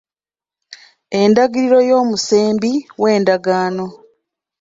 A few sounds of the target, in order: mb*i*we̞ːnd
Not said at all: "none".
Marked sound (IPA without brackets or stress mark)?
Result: i